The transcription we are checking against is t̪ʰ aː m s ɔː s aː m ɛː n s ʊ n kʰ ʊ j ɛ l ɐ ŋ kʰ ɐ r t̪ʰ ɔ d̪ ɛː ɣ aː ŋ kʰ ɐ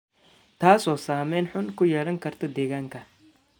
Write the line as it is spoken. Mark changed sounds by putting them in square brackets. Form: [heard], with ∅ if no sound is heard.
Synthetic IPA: t̪ʰ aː [∅] s ɔː s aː m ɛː n [ħ] ʊ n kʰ ʊ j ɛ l ɐ ŋ kʰ ɐ r t̪ʰ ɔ d̪ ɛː ɣ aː ŋ kʰ ɐ